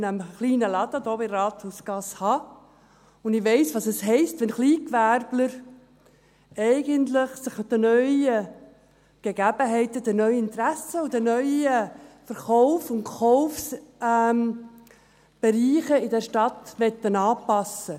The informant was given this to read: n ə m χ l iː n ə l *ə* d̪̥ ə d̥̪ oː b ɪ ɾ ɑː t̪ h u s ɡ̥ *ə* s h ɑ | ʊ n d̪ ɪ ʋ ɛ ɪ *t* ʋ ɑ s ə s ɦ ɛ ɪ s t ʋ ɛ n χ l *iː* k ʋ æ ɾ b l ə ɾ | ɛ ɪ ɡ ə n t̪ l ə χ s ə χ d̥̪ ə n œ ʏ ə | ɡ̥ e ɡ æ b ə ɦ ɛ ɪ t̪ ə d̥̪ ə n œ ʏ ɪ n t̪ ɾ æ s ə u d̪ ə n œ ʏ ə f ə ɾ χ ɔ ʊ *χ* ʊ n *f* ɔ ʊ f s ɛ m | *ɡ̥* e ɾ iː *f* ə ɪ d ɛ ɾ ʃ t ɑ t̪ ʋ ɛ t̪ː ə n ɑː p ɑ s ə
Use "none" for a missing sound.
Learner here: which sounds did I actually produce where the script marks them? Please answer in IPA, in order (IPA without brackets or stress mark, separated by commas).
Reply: ɑ, ɑ, s, iː, f, χ, b̥, χ